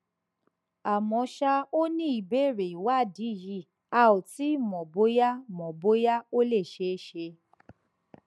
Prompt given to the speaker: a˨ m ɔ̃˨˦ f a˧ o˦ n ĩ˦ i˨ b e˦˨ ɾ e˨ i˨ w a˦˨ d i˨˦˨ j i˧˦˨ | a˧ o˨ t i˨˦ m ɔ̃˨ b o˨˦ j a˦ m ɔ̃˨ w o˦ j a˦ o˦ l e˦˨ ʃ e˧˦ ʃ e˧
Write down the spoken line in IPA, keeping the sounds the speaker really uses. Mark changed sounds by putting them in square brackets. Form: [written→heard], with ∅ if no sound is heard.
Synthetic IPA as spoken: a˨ m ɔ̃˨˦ [f→ʃ] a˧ o˦ n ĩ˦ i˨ b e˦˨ ɾ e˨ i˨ w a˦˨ d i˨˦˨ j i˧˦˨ | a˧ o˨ t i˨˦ m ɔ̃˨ b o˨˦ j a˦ m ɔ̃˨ [w→b] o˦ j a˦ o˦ l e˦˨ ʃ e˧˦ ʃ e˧

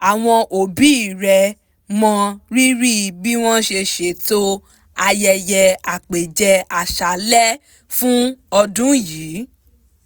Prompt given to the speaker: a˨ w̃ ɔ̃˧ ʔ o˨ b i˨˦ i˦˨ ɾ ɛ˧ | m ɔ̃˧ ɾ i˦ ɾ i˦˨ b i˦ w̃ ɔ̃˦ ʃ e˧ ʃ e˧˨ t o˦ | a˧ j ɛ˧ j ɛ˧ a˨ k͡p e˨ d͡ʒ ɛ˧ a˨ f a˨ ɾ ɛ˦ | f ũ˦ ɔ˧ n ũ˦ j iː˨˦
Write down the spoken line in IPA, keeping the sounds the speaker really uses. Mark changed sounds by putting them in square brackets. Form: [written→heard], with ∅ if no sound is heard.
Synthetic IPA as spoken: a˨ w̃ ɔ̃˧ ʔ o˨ b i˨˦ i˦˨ ɾ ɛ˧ | m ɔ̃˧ ɾ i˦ ɾ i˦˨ b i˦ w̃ ɔ̃˦ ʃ e˧ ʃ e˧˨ t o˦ | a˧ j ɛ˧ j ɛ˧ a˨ k͡p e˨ d͡ʒ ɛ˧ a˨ [f→ʃ] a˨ [ɾ→l] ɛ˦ | f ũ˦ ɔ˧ [n→d] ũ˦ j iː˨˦

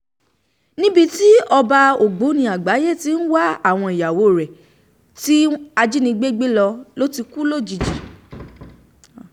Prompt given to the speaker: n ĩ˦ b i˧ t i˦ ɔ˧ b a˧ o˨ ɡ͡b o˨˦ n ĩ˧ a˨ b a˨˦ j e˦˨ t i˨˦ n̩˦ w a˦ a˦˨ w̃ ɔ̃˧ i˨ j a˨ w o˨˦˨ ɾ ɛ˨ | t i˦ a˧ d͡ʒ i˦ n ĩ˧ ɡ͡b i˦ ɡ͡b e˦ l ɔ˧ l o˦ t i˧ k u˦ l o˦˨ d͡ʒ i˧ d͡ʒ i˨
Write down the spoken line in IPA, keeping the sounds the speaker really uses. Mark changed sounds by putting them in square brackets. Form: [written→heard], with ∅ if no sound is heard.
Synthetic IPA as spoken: n ĩ˦ b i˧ t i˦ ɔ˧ b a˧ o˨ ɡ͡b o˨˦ n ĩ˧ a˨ [b→ɡ͡b] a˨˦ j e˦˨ t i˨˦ n̩˦ w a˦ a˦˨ w̃ ɔ̃˧ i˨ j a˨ w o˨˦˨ ɾ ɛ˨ | t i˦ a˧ d͡ʒ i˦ n ĩ˧ ɡ͡b [i˦→e˦] ɡ͡b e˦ l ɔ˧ l o˦ t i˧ k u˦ l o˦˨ d͡ʒ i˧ d͡ʒ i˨

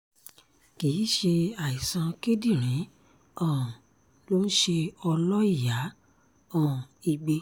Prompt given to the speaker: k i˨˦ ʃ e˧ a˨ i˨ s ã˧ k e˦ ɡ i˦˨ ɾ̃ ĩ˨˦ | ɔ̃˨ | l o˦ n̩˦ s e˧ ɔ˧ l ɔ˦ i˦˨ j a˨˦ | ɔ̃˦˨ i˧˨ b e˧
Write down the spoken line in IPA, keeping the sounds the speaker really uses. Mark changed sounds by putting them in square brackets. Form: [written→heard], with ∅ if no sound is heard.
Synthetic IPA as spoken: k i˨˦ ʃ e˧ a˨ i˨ s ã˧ k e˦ [ɡ→d] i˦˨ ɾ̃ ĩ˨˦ | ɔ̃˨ | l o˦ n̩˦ [s→ʃ] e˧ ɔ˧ l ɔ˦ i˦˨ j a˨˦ | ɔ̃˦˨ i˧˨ [b→ɡ͡b] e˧

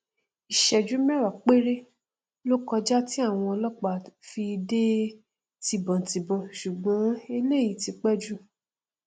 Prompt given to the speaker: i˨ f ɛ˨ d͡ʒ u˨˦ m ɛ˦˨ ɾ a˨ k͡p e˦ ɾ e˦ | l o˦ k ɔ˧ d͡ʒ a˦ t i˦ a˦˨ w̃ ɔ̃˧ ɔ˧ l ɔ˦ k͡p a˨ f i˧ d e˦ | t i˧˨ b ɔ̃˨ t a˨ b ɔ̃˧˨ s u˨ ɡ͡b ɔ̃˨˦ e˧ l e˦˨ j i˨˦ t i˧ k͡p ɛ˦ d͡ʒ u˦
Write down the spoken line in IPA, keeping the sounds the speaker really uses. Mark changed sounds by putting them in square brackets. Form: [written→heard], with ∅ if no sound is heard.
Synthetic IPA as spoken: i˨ [f→ʃ] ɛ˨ d͡ʒ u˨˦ m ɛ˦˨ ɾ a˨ k͡p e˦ ɾ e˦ | l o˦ k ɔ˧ d͡ʒ a˦ t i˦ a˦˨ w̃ ɔ̃˧ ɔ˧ l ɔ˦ k͡p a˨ f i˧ d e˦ | t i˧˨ b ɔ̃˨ t [a˨→i˨] b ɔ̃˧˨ [s→ʃ] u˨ ɡ͡b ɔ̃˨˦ e˧ l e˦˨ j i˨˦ t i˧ k͡p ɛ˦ d͡ʒ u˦

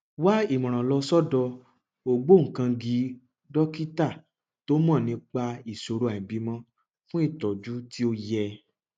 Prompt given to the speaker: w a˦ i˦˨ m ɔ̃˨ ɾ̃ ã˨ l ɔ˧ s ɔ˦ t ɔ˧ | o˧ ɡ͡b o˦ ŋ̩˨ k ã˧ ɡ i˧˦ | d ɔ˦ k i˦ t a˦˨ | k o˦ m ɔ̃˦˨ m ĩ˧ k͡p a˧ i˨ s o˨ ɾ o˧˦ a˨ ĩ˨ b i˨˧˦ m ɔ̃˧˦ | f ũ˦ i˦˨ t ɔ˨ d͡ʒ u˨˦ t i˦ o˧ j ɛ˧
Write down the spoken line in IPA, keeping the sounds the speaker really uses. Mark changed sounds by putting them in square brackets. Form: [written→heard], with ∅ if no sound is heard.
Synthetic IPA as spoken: w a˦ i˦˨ m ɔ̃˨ ɾ̃ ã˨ l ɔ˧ s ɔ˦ [t→d] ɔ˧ | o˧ ɡ͡b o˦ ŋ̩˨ k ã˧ ɡ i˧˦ | d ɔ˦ k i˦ t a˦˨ | [k→t] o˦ m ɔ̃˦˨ [m→n] ĩ˧ k͡p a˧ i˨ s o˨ ɾ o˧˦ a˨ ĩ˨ b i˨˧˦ m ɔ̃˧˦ | f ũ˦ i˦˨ t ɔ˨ d͡ʒ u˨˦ t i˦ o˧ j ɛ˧

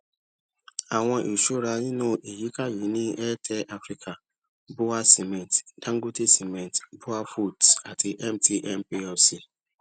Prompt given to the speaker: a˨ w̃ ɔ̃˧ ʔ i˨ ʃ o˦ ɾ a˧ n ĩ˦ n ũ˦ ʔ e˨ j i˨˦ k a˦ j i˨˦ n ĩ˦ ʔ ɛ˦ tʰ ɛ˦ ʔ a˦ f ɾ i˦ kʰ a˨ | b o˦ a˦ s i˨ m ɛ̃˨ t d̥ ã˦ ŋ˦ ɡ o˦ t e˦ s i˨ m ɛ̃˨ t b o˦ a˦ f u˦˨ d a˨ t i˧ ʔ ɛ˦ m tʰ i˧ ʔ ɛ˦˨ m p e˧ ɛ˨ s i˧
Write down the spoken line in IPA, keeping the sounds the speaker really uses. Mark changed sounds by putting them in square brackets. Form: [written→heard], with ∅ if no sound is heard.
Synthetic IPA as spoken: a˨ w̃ ɔ̃˧ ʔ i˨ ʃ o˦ ɾ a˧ n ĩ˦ n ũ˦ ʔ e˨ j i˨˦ k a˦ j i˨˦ n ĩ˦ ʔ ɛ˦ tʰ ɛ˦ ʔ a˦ f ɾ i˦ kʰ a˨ | b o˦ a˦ s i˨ m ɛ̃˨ t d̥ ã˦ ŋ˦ ɡ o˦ t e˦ s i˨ m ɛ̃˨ t b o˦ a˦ f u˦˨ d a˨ t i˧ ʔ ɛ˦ m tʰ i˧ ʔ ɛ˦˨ m p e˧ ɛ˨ s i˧

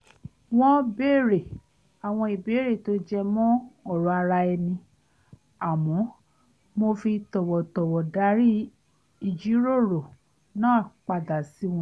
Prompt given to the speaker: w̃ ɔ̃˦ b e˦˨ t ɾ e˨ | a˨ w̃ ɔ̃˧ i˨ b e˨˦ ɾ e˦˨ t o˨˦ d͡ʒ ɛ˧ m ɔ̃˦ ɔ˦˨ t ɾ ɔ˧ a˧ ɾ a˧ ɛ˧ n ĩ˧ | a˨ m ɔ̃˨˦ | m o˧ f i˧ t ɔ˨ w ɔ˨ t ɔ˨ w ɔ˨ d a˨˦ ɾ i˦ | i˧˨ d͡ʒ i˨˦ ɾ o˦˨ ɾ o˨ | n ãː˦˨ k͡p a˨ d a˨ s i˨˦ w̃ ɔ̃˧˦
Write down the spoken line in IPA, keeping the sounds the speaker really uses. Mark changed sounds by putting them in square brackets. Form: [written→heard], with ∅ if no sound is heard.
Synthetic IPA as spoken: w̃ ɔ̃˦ b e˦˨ [t→∅] ɾ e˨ | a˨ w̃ ɔ̃˧ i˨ b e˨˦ ɾ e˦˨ t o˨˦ d͡ʒ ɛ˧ m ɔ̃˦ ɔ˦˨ [t→∅] ɾ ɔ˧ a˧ ɾ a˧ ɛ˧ n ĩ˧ | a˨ m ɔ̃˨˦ | m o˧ f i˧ t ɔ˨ w ɔ˨ t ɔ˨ w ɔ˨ d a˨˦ ɾ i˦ | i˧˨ d͡ʒ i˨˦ ɾ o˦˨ ɾ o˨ | n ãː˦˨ k͡p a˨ d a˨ s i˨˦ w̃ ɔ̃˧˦

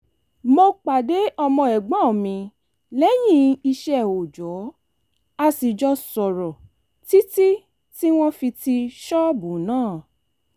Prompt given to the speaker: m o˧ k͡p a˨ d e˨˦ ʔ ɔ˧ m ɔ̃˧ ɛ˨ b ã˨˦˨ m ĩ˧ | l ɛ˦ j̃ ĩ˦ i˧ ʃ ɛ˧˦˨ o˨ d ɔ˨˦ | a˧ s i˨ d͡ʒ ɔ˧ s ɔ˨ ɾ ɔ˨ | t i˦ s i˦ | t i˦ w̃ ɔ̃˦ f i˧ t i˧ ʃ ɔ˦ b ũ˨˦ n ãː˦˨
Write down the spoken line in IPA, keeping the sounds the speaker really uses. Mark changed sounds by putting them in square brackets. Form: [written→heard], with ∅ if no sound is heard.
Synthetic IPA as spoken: m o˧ k͡p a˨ d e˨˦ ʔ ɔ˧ m ɔ̃˧ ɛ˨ [b→ɡ͡b] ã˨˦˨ m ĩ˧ | l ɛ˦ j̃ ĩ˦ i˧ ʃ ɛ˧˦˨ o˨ [d→d͡ʒ] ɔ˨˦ | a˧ s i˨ d͡ʒ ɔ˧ s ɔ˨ ɾ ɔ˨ | t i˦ [s→t] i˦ | t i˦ w̃ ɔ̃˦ f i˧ t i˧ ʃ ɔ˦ b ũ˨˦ n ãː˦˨

